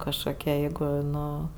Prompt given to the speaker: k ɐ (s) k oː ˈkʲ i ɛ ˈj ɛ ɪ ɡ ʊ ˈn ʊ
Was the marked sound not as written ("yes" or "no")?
yes